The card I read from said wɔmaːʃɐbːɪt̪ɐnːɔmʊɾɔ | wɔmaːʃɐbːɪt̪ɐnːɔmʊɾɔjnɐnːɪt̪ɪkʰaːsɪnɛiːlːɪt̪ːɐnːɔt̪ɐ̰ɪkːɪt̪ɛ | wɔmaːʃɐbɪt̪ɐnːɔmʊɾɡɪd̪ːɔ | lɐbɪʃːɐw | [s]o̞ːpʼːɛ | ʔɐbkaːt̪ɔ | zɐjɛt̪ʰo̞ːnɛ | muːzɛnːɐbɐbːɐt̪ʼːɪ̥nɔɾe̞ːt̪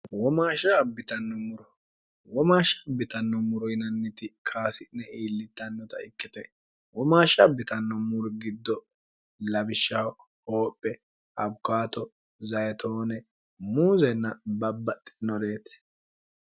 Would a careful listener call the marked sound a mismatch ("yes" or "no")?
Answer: yes